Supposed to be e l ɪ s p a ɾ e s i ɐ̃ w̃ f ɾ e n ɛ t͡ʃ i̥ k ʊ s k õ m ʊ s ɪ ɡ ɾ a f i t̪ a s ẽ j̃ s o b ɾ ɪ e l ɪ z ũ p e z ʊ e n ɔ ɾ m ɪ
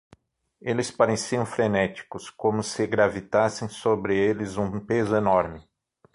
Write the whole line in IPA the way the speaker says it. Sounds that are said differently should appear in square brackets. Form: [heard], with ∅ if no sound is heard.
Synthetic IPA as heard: e l ɪ s p a ɾ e s i ɐ̃ w̃ f ɾ e n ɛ t͡ʃ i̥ k ʊ s k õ m ʊ s ɪ ɡ ɾ a [v] i t̪ a s ẽ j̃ s o b ɾ ɪ e l ɪ z ũ p e z ʊ e n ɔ ɾ m ɪ